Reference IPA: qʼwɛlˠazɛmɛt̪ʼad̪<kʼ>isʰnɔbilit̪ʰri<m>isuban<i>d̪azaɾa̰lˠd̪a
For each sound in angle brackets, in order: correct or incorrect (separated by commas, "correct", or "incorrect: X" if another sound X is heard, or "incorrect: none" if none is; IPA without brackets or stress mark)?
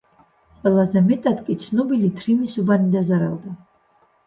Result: correct, correct, correct